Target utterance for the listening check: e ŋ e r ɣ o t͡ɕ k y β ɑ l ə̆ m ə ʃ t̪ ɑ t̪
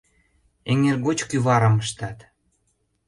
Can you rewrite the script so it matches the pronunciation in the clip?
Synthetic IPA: e ŋ e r ɣ o t͡ɕ k y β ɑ ɾ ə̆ m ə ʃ t̪ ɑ t̪